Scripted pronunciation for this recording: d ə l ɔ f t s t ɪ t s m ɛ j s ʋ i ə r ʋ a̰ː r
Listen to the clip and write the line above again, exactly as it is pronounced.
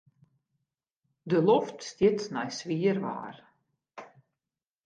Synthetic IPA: d ə l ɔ f t s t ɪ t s n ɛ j s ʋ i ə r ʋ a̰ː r